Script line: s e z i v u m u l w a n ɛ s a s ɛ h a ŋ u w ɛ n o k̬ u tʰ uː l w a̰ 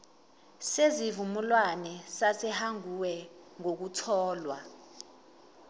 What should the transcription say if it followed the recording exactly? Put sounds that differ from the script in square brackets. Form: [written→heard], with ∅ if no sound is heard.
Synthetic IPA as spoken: s e z i v u m u l w a n ɛ s a s ɛ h a ŋ u w ɛ [n→ŋ] o k̬ u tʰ [uː→ɔː] l w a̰